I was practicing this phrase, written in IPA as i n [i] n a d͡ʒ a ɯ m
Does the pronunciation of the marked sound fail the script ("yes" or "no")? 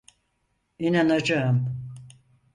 yes